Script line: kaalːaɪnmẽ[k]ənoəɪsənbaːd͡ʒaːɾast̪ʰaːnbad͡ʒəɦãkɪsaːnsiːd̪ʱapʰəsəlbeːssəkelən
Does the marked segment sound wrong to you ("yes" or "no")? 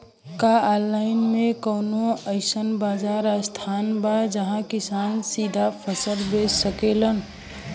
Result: no